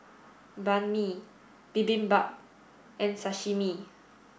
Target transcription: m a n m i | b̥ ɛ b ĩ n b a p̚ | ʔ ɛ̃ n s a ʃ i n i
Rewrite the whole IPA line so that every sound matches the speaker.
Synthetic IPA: b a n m i | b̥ i b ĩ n b a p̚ | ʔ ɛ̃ n s a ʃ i m i